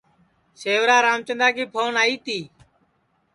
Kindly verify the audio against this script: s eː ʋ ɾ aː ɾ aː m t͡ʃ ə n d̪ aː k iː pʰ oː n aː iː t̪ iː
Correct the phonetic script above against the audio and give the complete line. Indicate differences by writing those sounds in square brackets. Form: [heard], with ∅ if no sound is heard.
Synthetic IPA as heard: s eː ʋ ɾ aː ɾ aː m t͡ʃ ə n d̪ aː k iː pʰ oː n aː iː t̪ iː